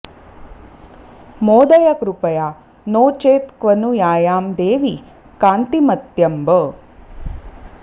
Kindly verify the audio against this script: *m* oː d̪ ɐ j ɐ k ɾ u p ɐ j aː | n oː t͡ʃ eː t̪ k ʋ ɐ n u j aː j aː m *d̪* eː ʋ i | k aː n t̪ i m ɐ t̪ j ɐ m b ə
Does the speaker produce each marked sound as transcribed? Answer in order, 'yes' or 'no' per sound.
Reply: yes, yes

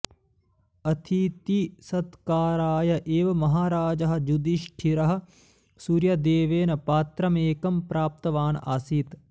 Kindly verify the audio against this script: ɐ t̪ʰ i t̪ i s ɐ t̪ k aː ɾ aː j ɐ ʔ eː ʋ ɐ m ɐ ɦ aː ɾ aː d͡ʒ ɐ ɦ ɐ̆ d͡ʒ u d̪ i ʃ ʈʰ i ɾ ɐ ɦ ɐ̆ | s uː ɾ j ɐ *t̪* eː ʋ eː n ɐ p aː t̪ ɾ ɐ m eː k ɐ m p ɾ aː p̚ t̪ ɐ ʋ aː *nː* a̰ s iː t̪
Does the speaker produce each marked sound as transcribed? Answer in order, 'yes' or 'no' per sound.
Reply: no, no

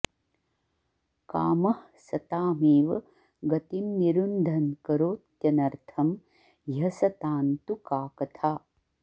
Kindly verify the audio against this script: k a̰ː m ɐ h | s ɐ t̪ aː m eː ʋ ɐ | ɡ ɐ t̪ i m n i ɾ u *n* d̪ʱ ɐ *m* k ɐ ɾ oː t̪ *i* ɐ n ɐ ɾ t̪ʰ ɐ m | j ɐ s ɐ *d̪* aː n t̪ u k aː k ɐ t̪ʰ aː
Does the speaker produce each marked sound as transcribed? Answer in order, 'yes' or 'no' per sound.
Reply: yes, no, no, no

